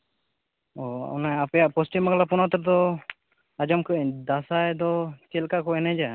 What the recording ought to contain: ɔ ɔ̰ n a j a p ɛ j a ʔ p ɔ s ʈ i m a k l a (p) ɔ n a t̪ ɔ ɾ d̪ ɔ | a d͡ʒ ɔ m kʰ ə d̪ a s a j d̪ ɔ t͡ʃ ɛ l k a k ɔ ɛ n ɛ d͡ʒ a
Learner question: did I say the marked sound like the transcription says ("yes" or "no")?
yes